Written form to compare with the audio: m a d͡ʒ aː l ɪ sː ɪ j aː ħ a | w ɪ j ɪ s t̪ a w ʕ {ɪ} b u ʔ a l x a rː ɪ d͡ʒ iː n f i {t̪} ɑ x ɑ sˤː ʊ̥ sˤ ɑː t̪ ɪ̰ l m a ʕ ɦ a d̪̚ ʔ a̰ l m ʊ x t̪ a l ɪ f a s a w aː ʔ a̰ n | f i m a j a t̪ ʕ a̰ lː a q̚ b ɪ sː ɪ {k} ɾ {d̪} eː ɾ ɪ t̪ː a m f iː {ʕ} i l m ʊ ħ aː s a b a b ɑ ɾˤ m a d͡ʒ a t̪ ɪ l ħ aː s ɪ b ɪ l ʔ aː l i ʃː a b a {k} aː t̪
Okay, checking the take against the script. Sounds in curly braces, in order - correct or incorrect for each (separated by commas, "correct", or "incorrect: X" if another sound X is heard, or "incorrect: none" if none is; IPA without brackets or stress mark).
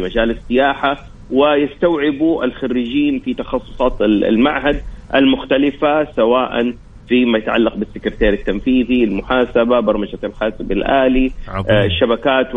correct, correct, correct, incorrect: t̪, incorrect: ð, correct